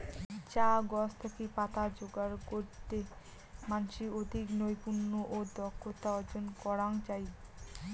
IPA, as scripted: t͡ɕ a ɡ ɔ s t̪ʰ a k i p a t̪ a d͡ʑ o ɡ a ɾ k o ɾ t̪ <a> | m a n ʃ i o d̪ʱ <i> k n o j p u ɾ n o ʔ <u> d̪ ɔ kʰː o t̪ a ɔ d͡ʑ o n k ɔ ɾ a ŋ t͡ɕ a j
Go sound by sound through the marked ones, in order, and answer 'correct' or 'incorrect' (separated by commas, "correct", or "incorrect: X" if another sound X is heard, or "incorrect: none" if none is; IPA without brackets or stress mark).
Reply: incorrect: e, correct, incorrect: o